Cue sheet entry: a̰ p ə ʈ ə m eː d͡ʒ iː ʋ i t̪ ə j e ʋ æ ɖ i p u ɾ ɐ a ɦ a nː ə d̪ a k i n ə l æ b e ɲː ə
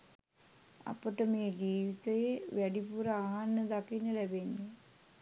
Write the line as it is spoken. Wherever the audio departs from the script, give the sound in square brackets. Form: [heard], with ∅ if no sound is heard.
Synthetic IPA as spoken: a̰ p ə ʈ ə m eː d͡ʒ iː ʋ i t̪ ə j e ʋ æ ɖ i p u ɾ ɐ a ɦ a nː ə d̪ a k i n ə l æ b e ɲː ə